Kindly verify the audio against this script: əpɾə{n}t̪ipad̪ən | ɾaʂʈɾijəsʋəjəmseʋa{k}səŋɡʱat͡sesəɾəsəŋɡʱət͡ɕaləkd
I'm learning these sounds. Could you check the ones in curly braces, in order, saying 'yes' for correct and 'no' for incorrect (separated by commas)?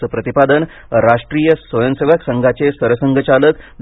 no, yes